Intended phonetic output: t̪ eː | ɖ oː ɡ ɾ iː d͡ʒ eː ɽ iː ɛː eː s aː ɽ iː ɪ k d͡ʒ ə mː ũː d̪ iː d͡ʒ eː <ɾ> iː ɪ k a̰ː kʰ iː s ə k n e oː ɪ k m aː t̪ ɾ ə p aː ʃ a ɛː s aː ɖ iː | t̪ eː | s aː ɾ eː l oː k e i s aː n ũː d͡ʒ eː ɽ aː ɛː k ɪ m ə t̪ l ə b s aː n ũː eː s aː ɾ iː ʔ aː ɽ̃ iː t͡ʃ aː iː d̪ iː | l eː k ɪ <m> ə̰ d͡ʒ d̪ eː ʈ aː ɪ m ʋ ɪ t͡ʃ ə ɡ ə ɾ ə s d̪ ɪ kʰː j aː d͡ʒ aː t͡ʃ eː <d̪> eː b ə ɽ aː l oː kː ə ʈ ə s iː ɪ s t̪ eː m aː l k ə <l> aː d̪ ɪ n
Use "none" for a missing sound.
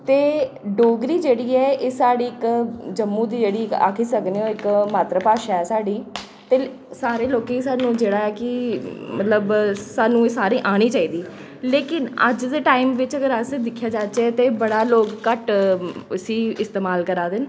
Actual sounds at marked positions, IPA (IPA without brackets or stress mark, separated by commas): ɽ, n, t̪, ɾ